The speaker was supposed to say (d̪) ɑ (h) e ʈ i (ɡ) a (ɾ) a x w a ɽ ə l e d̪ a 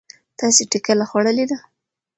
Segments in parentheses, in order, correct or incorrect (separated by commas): incorrect, incorrect, incorrect, incorrect